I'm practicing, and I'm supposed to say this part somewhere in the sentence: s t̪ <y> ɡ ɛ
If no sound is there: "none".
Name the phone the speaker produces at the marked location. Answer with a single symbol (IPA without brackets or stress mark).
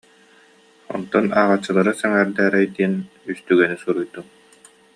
y